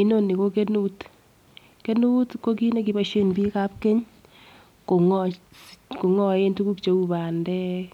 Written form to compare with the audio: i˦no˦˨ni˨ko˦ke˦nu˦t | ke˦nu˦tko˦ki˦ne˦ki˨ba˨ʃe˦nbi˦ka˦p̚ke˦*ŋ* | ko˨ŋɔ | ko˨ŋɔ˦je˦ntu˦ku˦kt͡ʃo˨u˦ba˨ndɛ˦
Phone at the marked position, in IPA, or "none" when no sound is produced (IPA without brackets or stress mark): ɲ